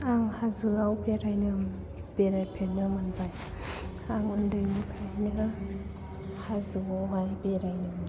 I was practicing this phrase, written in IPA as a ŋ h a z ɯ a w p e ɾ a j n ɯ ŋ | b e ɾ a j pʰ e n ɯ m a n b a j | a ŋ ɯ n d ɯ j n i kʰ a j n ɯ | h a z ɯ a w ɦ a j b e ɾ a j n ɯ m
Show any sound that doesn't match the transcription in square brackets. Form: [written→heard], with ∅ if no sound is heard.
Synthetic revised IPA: a ŋ h a z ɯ a w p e ɾ a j n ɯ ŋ | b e ɾ a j pʰ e n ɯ m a n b a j | a ŋ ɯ n d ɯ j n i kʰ a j n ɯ | h a z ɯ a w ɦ a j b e ɾ a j n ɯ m